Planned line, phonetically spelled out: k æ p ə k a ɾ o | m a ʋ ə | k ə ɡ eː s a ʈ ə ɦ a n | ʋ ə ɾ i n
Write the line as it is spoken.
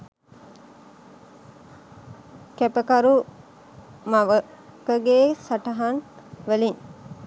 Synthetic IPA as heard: k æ p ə k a ɾ u | m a ʋ ə | k ə ɡ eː s a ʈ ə ɦ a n | ʋ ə l i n